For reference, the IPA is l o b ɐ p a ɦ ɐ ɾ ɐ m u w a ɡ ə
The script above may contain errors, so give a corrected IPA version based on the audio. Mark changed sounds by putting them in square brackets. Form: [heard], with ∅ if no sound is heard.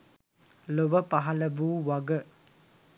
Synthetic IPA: l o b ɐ p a ɦ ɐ [l] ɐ [b] u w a ɡ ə